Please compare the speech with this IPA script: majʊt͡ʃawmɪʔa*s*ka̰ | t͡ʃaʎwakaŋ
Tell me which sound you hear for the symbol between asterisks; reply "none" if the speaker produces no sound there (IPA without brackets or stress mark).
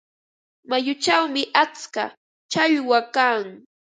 t͡s